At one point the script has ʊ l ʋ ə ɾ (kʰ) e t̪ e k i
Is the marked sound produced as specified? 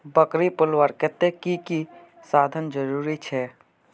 no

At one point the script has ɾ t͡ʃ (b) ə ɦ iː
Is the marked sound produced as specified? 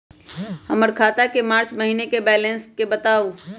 no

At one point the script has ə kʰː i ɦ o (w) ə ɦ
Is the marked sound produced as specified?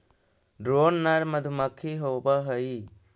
no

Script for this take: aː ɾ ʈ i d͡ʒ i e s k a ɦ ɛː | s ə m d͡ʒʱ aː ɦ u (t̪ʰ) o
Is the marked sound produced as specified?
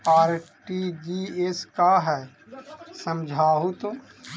no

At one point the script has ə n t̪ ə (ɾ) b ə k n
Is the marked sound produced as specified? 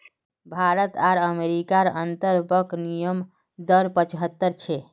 yes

